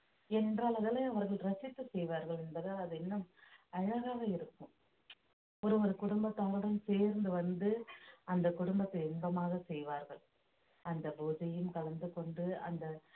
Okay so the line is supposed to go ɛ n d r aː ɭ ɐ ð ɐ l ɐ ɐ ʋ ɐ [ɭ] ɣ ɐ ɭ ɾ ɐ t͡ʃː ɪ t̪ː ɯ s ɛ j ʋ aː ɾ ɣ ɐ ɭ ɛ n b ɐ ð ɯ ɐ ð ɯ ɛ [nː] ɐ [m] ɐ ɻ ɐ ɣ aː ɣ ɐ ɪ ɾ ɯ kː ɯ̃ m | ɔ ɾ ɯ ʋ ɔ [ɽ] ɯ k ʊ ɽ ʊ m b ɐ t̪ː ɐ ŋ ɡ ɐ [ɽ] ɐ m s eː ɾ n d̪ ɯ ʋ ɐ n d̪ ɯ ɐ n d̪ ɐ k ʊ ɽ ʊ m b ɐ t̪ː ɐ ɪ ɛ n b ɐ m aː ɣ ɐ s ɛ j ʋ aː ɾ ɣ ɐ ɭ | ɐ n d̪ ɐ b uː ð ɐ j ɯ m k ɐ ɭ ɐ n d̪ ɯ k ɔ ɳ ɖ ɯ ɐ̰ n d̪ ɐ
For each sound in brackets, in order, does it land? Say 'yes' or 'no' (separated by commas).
no, yes, yes, no, yes